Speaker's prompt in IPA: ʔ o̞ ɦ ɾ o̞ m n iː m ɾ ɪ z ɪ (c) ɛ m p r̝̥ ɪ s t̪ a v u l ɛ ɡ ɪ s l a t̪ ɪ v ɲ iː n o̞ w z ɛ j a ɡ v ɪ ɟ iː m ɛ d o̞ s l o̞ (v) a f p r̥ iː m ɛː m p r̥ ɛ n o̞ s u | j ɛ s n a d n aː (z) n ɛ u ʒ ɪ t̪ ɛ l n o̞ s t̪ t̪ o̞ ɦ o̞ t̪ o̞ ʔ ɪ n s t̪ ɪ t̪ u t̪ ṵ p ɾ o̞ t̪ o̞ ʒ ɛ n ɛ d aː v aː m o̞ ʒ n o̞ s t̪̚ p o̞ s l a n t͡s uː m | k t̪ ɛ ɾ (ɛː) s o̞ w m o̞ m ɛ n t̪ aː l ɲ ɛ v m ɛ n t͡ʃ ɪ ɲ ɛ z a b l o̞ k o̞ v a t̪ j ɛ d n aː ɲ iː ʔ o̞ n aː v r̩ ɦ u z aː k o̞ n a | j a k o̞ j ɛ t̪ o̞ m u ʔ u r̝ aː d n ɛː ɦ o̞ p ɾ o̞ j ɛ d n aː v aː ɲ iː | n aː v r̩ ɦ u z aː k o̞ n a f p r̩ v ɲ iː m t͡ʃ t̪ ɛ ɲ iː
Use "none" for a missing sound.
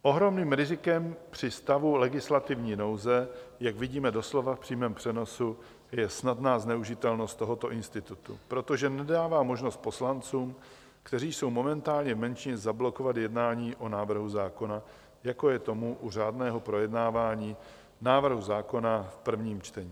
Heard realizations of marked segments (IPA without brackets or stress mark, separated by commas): k, v, z, iː